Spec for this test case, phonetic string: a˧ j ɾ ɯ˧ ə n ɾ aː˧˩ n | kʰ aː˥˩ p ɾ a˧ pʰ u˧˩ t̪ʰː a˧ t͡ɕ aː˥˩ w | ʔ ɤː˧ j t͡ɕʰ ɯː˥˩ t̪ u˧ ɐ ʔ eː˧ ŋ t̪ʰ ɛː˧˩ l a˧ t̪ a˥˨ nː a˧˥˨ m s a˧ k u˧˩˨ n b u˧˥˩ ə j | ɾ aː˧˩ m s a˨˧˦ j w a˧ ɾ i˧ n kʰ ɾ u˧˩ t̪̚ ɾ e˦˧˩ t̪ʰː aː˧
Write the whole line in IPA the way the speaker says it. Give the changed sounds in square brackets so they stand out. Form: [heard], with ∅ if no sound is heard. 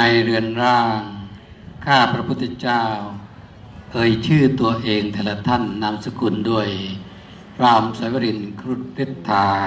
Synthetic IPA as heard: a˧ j ɾ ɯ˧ ə n ɾ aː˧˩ [ŋ] | kʰ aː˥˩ p ɾ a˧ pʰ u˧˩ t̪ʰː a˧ t͡ɕ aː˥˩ w | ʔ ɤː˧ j t͡ɕʰ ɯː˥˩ t̪ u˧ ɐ ʔ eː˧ ŋ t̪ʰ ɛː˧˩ l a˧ [t̪ʰ] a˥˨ nː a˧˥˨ m s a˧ k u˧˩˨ n [d] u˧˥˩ ə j | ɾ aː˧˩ m s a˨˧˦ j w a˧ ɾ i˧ n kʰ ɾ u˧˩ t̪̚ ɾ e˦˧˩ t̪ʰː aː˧